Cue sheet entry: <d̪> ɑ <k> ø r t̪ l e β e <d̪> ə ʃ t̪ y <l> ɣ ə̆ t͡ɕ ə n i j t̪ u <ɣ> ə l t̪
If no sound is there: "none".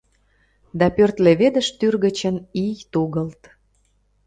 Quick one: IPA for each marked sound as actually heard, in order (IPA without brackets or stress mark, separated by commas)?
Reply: d̪, p, d̪, r, ɣ